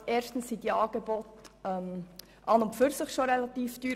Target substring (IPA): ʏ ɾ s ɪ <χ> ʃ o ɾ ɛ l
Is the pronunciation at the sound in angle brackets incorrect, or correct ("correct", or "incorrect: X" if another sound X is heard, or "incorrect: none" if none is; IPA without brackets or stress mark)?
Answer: correct